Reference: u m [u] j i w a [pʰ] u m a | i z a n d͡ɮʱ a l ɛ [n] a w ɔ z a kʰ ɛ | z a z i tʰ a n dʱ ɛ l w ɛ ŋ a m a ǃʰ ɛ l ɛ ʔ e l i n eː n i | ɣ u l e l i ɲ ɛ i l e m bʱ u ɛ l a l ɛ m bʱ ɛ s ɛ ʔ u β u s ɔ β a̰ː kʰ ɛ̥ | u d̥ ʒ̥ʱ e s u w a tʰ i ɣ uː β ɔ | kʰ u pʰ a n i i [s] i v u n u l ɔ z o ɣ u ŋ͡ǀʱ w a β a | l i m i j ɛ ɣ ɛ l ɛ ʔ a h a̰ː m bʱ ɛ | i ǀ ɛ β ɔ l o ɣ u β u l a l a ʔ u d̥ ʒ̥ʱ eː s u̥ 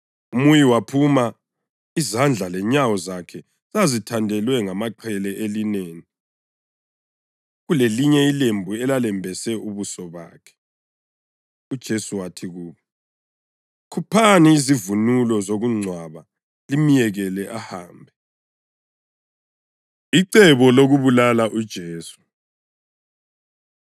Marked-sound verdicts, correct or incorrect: correct, correct, incorrect, incorrect

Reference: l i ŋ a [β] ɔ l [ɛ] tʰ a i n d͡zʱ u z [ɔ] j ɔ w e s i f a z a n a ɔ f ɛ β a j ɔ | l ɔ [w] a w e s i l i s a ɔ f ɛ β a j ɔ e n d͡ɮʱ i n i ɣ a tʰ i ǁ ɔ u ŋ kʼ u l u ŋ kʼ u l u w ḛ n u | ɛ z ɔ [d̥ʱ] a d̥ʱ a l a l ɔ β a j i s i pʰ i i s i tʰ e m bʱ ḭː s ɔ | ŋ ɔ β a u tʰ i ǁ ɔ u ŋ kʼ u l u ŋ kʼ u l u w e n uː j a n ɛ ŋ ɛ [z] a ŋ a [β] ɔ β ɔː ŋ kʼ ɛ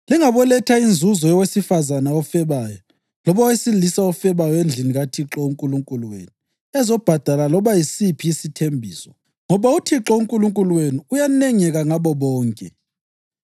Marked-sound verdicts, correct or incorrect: correct, correct, correct, incorrect, incorrect, incorrect, correct

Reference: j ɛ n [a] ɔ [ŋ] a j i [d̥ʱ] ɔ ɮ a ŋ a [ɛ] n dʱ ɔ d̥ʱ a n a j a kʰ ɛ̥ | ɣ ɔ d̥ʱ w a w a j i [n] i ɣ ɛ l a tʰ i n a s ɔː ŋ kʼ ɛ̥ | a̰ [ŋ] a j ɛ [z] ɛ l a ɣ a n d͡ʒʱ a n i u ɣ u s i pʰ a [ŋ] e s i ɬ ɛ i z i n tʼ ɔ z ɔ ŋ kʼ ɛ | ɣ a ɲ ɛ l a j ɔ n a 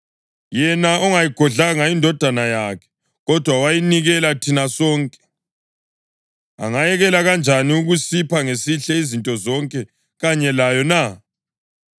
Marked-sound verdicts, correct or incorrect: correct, correct, incorrect, incorrect, correct, correct, incorrect, correct

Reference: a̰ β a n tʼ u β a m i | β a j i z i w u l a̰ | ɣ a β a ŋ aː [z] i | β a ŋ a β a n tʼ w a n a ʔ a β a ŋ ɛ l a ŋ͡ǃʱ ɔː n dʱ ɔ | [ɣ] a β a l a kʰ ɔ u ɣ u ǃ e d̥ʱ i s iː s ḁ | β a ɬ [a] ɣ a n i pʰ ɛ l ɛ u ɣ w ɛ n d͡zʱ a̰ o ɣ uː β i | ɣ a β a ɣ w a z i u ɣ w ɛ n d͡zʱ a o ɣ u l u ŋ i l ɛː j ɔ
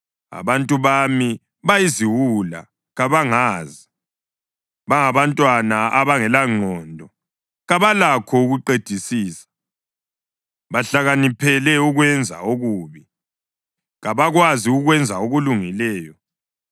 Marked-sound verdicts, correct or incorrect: correct, correct, correct

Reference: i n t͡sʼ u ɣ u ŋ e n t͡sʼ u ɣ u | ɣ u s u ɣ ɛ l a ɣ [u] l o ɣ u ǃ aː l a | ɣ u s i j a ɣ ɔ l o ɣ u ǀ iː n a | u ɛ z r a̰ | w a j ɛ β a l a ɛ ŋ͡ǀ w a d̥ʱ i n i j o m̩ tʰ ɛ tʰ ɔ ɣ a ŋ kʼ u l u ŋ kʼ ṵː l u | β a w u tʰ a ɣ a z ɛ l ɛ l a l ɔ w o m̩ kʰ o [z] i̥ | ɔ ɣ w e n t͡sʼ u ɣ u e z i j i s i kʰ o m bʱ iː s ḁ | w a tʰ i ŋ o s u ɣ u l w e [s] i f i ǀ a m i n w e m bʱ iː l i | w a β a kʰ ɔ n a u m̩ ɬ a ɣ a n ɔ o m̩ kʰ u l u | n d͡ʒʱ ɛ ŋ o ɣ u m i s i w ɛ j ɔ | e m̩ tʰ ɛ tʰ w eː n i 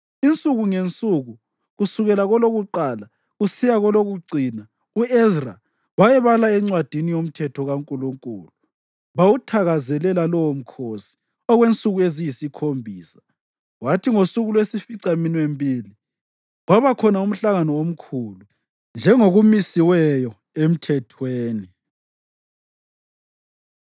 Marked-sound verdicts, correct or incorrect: incorrect, incorrect, correct

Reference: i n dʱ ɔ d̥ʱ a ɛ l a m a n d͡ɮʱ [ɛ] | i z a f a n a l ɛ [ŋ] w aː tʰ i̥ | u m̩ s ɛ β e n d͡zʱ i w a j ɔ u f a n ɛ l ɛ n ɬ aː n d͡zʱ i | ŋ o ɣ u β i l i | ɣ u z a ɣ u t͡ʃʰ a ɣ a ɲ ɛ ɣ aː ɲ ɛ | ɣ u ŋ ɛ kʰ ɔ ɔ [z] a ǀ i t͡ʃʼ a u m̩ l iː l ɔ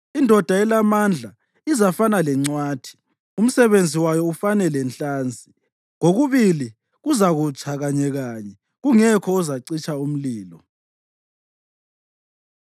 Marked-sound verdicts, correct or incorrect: incorrect, incorrect, correct

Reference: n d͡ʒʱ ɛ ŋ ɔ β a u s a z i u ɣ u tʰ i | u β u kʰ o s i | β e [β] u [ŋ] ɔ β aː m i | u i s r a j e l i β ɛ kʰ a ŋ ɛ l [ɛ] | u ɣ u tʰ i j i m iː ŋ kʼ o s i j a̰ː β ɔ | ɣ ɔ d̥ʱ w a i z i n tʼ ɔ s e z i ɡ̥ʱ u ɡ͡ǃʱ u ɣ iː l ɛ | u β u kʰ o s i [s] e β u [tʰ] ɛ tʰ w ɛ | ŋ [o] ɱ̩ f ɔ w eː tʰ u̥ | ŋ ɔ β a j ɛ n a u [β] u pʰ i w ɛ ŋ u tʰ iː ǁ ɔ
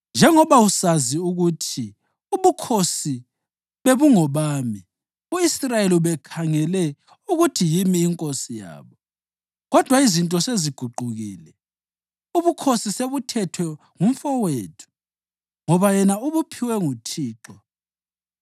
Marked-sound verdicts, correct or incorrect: correct, correct, correct, correct, correct, incorrect, correct

